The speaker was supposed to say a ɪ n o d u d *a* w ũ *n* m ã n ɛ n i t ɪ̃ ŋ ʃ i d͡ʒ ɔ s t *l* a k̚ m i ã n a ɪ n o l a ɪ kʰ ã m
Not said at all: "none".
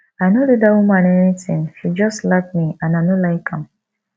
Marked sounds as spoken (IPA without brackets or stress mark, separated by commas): a, none, l